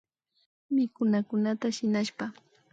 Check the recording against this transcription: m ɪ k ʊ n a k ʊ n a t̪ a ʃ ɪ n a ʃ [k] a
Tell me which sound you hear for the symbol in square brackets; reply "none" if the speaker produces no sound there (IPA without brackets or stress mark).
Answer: p